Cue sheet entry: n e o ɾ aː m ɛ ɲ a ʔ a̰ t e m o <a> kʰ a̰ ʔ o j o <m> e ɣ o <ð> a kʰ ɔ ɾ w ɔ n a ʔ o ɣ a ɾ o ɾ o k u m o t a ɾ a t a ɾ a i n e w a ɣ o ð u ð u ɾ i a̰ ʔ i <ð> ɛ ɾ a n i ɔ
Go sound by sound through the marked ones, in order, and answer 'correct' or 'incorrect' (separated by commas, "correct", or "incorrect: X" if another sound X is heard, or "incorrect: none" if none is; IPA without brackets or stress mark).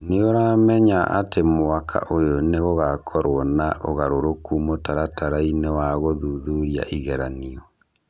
correct, incorrect: n, incorrect: ɣ, incorrect: ɣ